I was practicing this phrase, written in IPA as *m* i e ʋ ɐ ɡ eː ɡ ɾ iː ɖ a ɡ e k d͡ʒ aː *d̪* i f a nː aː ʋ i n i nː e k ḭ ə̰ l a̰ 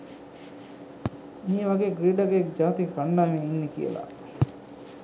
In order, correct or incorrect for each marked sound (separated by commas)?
correct, incorrect